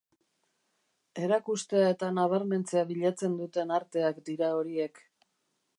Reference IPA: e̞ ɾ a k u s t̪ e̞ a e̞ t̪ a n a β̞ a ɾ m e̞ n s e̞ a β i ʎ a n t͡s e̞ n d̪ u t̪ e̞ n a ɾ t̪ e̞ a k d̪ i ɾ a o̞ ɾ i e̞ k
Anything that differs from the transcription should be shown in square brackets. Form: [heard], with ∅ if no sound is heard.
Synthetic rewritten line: e̞ ɾ a k u s t̪ e̞ a e̞ t̪ a n a β̞ a ɾ m e̞ n [t͡s] e̞ a β i ʎ a [∅] t͡s e̞ n d̪ u t̪ e̞ n a ɾ t̪ e̞ a k d̪ i ɾ a o̞ ɾ i e̞ k